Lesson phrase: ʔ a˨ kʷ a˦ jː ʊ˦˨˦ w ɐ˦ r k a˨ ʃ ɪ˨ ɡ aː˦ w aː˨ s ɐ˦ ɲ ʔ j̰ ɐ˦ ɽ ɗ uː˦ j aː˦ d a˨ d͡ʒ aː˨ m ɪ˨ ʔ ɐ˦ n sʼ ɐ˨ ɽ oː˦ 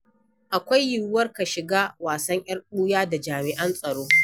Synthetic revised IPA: ʔ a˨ kʷ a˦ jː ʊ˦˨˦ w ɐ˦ r k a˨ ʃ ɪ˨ ɡ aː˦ w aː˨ s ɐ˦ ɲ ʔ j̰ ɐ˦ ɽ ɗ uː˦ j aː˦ d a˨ d͡ʒ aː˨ m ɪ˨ ʔ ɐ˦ n sʼ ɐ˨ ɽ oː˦